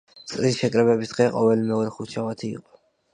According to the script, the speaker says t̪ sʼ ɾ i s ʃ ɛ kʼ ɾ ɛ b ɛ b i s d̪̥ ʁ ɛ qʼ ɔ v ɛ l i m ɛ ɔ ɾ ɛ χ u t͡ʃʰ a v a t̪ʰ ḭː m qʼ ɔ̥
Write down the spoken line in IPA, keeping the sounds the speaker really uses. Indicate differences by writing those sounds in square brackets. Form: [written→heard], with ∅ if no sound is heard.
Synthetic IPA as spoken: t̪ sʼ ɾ i s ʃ ɛ kʼ ɾ ɛ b ɛ b i s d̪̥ ʁ ɛ qʼ ɔ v ɛ l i m ɛ ɔ ɾ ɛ χ u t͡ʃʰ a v a t̪ʰ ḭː [m→∅] qʼ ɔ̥